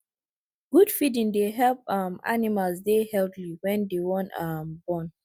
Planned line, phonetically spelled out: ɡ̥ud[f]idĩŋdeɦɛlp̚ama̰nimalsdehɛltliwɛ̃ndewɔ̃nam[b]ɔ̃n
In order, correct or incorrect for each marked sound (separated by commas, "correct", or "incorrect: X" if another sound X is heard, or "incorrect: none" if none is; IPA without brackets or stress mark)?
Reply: correct, correct